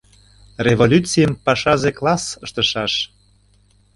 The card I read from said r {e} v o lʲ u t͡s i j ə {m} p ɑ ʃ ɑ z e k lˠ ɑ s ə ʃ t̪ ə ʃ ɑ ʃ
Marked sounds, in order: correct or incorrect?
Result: correct, correct

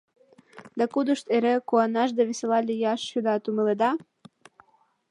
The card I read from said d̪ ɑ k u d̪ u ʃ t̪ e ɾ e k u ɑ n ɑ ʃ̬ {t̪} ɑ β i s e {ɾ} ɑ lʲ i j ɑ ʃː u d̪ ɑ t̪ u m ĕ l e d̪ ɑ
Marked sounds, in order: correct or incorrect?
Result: incorrect: d̪, incorrect: l

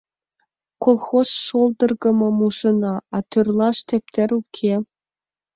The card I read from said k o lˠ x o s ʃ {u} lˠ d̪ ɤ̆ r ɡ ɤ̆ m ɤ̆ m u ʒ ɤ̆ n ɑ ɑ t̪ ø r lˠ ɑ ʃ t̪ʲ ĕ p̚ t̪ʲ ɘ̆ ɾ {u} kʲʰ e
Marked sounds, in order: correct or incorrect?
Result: incorrect: o, correct

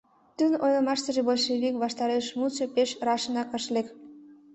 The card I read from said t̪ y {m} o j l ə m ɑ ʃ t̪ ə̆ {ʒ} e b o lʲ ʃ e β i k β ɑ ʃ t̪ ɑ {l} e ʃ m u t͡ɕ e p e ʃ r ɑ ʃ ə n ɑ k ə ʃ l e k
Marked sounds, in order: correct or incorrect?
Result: incorrect: n, correct, incorrect: ɾ

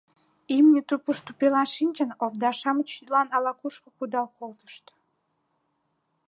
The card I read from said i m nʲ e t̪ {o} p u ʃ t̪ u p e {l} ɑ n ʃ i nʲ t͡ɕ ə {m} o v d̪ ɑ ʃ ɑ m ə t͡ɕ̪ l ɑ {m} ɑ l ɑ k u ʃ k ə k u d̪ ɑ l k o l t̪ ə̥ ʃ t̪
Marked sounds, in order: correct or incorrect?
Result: incorrect: u, correct, incorrect: n, incorrect: n

